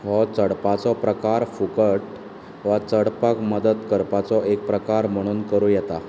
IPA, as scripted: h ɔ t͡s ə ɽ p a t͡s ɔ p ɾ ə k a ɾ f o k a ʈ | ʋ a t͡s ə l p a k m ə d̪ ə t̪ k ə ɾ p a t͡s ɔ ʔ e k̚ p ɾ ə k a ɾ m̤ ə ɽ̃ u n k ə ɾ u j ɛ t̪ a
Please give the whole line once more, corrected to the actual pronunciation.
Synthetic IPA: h ɔ t͡s ə ɽ p a t͡s ɔ p ɾ ə k a ɾ f u k ə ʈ | ʋ a t͡s ə ɽ p a k m ə d̪ ə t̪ k ə ɾ p a t͡s ɔ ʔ e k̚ p ɾ ə k a ɾ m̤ ə ɽ̃ uː n k ə ɾ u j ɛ t̪ a